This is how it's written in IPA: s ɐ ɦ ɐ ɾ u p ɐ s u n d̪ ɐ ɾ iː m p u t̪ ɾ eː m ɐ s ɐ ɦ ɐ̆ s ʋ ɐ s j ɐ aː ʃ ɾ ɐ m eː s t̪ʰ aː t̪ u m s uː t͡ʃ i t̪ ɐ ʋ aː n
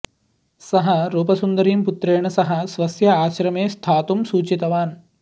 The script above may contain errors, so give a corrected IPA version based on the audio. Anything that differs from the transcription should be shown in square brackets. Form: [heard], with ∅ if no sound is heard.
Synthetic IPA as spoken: s ɐ ɦ ɐ ɾ [uː] p ɐ s u n d̪ ɐ ɾ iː m p u t̪ ɾ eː [ɳ] ɐ s ɐ ɦ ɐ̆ s ʋ ɐ s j ɐ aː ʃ ɾ ɐ m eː s t̪ʰ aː t̪ u m s uː t͡ʃ i t̪ ɐ ʋ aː n